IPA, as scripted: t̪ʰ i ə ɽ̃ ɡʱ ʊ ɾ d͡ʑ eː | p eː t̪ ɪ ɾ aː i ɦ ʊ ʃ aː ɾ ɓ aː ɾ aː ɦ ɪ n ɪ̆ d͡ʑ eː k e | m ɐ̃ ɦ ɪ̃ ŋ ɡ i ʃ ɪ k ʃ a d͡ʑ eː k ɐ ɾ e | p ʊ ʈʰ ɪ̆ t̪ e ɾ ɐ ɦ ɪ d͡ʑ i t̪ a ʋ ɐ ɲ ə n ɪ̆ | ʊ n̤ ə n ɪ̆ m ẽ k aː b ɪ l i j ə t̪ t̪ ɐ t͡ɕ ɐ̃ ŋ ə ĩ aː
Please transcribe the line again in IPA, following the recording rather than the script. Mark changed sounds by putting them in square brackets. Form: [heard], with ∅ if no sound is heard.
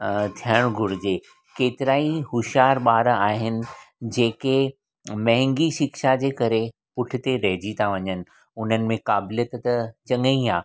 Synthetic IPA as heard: t̪ʰ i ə ɽ̃ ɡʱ ʊ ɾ d͡ʑ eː | [k] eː t̪ ɪ ɾ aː i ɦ ʊ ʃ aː ɾ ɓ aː ɾ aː ɦ ɪ n ɪ̆ d͡ʑ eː k e | m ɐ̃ ɦ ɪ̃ ŋ ɡ i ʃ ɪ k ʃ a d͡ʑ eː k ɐ ɾ e | p ʊ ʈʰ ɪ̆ t̪ e ɾ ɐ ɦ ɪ d͡ʑ i [t̪ʰ] a ʋ ɐ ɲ ə n ɪ̆ | ʊ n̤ ə n ɪ̆ m ẽ k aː b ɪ l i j ə t̪ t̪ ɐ t͡ɕ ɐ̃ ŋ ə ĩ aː

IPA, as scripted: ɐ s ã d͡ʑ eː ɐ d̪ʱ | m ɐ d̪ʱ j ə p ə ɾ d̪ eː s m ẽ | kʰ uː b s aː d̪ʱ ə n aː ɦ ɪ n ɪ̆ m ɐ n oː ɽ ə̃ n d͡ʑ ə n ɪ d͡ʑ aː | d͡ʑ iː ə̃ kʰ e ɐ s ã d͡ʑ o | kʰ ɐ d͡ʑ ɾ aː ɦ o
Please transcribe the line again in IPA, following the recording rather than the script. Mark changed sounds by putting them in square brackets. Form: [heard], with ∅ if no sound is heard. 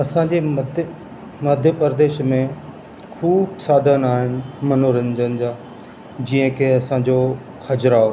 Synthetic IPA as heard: ɐ s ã d͡ʑ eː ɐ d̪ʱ | m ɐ d̪ʱ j ə p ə ɾ d̪ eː [ʃ] m ẽ | kʰ uː b s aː d̪ʱ ə n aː ɦ ɪ n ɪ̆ m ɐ n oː [ɾ] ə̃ n d͡ʑ ə n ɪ d͡ʑ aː | d͡ʑ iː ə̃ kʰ e ɐ s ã d͡ʑ o | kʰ ɐ d͡ʑ ɾ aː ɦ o

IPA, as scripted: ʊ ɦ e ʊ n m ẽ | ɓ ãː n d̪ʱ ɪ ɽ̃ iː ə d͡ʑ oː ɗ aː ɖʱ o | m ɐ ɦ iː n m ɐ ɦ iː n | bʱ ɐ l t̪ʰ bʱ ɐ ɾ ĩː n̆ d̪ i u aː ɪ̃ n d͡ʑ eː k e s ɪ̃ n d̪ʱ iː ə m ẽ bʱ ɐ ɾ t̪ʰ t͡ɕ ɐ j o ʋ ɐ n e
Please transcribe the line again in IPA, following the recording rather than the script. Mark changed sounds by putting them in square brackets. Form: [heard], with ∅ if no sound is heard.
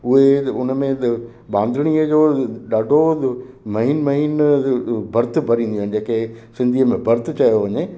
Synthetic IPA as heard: ʊ ɦ e ʊ n m ẽ | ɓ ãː n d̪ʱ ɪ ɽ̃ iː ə d͡ʑ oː ɗ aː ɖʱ o | m ɐ ɦ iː n m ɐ ɦ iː n | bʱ ɐ [ɾ] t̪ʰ bʱ ɐ ɾ ĩː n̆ d̪ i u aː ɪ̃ n d͡ʑ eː k e s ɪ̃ n d̪ʱ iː ə m ẽ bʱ ɐ ɾ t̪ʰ t͡ɕ ɐ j o ʋ ɐ [ɲ] e

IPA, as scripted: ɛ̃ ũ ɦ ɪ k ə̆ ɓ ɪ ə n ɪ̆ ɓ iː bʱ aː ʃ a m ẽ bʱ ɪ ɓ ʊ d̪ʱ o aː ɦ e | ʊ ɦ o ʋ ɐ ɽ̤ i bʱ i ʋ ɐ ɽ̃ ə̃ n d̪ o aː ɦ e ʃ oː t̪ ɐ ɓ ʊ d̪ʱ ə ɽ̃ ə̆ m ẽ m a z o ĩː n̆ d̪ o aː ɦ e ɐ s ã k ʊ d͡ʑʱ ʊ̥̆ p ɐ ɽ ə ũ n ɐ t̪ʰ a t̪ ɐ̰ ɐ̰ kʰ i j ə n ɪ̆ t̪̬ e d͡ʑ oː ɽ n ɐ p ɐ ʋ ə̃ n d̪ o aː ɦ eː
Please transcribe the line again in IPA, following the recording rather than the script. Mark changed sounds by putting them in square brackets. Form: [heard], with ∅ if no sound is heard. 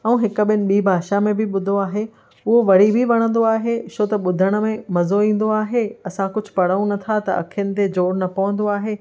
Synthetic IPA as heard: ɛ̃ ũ ɦ ɪ k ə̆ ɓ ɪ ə n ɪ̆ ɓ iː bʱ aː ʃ a m ẽ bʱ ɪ ɓ ʊ d̪ʱ o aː ɦ e | ʊ ɦ o ʋ ɐ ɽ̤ i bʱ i ʋ ɐ ɽ̃ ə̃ n d̪ o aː ɦ e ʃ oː t̪ ɐ ɓ ʊ d̪ʱ ə ɽ̃ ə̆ m ẽ m [ɐ] z o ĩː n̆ d̪ o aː ɦ e ɐ s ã k ʊ d͡ʑʱ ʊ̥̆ p ɐ ɽ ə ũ n ɐ t̪ʰ a t̪ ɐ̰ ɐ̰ kʰ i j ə n ɪ̆ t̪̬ e d͡ʑ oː ɽ n ɐ p ɐ ʋ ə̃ n d̪ o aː ɦ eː

